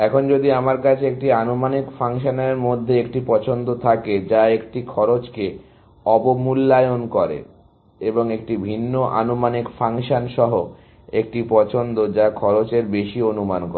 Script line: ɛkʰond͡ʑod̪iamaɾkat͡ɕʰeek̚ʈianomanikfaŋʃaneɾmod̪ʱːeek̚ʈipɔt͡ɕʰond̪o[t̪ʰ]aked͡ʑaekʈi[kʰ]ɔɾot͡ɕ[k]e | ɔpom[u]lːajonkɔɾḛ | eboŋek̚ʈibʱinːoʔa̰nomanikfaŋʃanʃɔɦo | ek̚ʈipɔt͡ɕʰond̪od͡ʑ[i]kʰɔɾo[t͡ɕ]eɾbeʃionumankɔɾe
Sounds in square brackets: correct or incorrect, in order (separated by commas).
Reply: correct, correct, correct, correct, incorrect, correct